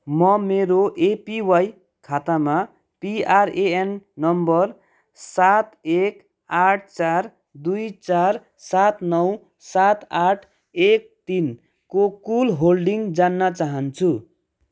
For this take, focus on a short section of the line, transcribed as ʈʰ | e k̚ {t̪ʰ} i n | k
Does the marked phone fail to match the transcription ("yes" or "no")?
yes